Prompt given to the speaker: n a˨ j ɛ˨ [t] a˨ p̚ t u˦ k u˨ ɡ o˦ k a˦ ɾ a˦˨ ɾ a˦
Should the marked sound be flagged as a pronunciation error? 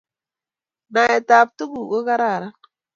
no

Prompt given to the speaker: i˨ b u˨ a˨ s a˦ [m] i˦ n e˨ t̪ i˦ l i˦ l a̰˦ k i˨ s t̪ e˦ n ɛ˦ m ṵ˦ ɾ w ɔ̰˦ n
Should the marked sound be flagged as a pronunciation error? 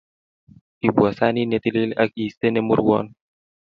yes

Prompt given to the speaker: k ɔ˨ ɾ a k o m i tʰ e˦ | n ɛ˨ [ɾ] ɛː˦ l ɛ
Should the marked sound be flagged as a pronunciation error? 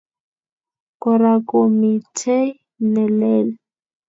yes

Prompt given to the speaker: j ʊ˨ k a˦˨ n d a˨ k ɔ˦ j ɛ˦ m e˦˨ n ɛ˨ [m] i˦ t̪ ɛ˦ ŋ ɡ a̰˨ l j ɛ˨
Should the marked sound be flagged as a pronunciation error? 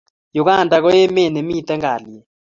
no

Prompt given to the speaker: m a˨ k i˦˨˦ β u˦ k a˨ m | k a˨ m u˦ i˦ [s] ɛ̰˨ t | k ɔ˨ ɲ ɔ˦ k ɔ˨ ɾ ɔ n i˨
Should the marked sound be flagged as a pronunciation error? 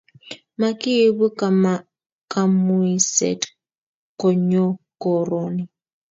no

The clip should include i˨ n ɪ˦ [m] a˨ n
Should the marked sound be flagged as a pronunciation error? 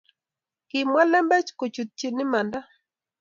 no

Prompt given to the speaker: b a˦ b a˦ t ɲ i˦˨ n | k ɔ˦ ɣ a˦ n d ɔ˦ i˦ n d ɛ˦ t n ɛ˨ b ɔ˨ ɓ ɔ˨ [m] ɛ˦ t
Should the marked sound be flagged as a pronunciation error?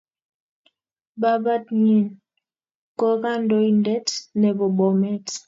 no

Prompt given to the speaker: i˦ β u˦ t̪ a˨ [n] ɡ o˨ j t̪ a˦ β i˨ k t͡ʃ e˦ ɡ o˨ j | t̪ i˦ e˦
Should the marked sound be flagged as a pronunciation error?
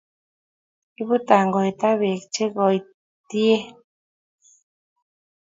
yes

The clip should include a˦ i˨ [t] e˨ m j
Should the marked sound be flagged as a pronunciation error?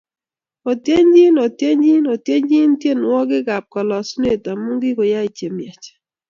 yes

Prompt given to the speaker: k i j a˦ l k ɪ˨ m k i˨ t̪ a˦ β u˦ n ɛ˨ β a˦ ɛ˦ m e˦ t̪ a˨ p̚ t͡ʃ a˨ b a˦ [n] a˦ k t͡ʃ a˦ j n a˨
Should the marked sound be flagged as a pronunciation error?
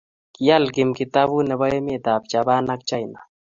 no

